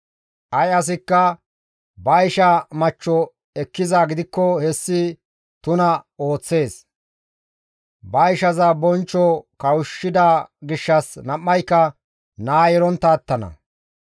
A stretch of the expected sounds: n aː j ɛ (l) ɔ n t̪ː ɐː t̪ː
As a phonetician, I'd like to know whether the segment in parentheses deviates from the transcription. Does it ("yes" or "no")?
yes